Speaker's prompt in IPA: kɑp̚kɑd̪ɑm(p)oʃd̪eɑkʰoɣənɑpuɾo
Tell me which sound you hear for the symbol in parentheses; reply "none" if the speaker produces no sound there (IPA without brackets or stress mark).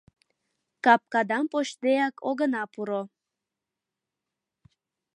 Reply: p